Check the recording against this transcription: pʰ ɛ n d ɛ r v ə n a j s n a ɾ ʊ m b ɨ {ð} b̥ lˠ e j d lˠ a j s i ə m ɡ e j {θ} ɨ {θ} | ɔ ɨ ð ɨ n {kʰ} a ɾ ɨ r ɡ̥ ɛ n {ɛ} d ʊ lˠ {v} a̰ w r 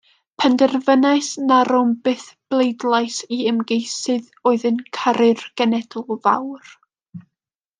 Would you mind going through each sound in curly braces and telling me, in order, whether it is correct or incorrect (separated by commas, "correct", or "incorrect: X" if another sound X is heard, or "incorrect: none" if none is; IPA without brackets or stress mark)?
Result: incorrect: θ, incorrect: s, incorrect: ð, correct, correct, correct